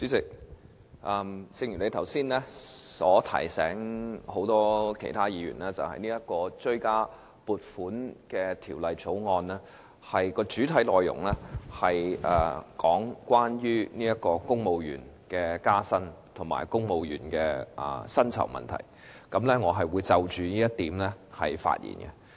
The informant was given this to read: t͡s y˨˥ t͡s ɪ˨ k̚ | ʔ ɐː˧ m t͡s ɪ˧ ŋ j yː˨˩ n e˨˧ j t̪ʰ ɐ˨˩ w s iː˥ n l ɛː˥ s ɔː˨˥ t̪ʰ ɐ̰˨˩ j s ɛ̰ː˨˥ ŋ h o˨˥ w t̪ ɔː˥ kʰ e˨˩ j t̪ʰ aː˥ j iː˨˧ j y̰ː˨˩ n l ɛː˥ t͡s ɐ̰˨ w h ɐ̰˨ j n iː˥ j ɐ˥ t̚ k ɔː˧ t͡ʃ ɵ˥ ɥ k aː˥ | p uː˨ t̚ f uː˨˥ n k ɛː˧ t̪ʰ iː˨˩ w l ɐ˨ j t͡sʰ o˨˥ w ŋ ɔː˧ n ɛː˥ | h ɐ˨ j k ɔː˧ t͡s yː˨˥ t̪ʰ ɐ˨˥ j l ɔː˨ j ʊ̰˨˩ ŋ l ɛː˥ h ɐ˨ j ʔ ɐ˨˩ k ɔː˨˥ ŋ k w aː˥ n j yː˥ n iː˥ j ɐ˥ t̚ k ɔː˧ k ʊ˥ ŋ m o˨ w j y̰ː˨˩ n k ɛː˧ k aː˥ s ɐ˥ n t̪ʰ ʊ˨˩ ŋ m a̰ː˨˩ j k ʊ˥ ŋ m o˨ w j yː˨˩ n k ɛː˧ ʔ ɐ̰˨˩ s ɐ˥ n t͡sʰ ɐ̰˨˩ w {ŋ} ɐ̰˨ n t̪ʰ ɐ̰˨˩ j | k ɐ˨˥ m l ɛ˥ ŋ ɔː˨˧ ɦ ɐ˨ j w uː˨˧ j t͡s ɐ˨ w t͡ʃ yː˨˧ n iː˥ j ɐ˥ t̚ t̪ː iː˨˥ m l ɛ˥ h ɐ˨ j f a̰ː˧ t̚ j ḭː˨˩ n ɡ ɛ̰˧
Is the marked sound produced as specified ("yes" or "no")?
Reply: no